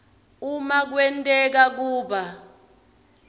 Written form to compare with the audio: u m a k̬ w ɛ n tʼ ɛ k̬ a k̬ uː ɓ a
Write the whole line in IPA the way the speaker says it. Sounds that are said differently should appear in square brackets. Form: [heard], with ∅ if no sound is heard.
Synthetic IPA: u m a k̬ w ɛ n tʼ ɛ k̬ a k̬ uː ɓ a

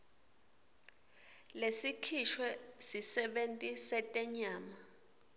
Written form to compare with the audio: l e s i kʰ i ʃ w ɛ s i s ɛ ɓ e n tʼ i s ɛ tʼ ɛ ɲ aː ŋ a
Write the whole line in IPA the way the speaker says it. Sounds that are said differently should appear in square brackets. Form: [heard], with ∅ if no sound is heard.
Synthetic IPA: l e s i kʰ i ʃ w ɛ s i s ɛ ɓ e n tʼ i s ɛ tʼ ɛ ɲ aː [m] a

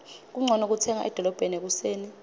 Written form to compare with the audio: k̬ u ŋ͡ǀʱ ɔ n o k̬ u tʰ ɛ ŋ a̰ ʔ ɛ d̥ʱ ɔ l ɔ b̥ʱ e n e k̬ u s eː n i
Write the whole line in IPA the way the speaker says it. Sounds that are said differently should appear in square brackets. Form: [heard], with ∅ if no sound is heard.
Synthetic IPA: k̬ u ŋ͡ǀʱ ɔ n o k̬ u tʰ ɛ ŋ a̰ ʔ ɛ d̥ʱ ɔ l ɔ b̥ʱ e n e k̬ u s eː n i

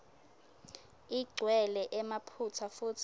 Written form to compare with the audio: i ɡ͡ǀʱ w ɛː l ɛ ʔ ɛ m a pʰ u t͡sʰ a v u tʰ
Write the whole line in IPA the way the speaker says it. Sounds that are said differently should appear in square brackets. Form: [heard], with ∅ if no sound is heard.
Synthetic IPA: i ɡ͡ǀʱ w [ɛ] l ɛ ʔ ɛ m a pʰ u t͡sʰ a [f] u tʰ

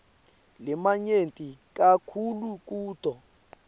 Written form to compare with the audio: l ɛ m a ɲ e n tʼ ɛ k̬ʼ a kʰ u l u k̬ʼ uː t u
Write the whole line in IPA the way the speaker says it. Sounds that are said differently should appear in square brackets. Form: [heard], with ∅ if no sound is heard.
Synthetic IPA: l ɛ m a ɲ e n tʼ [i] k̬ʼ a kʰ u l u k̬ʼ uː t [ɔ]

